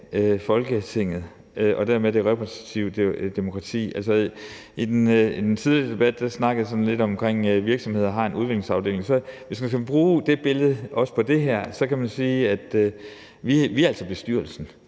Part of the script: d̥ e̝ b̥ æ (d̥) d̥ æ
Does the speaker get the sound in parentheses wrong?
no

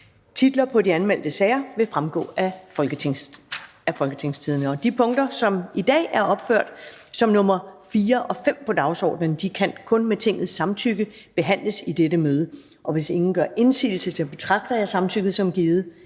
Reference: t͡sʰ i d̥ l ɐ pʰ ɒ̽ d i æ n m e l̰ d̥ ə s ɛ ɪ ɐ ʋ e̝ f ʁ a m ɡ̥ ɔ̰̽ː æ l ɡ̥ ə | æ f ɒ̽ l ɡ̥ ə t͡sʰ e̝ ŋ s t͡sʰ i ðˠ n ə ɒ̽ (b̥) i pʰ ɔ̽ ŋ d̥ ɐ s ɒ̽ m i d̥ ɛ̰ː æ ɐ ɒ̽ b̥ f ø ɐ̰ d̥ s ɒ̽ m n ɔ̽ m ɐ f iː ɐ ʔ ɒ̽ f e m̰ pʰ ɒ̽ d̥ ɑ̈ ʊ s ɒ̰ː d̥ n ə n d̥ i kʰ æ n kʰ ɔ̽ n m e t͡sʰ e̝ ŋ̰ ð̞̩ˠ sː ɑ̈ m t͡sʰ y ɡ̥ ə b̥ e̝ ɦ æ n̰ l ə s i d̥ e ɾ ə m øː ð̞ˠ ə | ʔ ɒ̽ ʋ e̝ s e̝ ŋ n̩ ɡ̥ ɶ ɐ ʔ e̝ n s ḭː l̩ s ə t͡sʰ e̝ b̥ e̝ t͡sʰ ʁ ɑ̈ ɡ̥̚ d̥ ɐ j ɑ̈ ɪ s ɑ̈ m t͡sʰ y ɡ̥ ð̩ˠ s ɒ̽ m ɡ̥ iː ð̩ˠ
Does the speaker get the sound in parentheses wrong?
yes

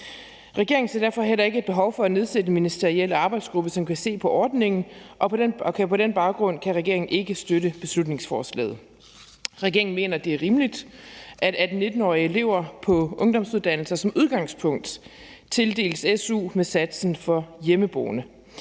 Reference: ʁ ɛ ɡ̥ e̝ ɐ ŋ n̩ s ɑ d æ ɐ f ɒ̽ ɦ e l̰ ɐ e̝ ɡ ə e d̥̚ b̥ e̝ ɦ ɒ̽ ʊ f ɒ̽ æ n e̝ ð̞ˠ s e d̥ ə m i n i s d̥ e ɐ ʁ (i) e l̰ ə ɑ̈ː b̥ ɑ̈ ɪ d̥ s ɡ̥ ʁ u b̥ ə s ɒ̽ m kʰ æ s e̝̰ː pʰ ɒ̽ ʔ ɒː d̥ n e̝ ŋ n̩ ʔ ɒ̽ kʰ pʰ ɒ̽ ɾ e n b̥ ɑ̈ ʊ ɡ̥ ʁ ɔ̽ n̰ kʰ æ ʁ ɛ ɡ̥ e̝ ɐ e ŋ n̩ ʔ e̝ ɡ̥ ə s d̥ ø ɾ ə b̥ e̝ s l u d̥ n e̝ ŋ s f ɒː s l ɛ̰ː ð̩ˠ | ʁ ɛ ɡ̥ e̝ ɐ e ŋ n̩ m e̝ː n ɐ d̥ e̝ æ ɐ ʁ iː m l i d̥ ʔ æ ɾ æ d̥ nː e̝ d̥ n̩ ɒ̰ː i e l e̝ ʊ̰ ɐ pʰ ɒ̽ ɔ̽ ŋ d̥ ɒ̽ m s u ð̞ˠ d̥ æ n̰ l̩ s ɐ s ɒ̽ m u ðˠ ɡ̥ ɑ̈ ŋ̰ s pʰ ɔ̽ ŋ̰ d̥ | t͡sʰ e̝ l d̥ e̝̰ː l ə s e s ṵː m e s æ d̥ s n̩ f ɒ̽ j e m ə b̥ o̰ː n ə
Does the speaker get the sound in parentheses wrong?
no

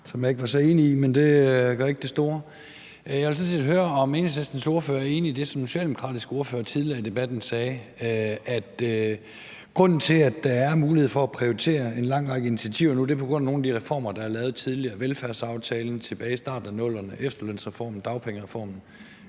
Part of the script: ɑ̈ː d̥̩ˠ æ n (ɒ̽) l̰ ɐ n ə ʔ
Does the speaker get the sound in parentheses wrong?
yes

